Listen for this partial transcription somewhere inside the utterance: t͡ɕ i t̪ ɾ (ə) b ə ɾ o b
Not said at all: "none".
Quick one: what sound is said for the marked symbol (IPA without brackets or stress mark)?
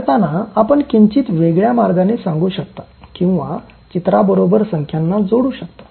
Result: a